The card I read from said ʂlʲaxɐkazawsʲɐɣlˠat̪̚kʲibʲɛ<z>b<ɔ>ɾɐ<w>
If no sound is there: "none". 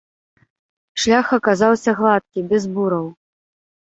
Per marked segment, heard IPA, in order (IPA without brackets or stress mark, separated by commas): z, u, w